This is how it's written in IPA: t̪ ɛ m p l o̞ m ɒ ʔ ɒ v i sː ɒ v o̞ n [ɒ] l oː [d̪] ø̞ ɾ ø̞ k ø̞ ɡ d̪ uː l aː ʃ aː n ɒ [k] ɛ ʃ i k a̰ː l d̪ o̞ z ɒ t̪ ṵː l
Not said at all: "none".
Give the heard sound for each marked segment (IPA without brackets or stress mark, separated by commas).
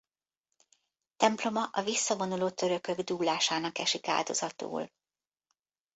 u, t̪, k